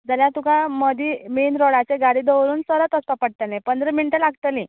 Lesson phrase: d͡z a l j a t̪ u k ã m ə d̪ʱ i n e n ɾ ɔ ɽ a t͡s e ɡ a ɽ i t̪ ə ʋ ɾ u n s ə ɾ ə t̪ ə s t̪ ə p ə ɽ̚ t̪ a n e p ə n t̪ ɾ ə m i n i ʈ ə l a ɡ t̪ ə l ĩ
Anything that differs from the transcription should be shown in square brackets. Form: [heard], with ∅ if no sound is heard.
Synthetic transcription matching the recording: d͡z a l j a t̪ u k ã m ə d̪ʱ i [m] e n ɾ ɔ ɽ a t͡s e ɡ a ɽ i [d̪] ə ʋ ɾ [uː] n s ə ɾ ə t̪ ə s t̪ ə p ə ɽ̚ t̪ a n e p ə n [d̪] ɾ ə m i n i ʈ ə l a ɡ t̪ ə l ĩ